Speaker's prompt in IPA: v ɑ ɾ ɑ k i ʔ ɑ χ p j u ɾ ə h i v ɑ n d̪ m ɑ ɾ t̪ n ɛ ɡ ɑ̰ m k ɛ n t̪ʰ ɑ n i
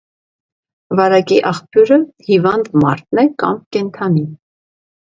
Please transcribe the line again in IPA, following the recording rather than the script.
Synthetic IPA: v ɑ ɾ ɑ k i ʔ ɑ χ p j u ɾ ə h i v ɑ n d̪ m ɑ ɾ t̪ n ɛ k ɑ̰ m k ɛ n t̪ʰ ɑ n i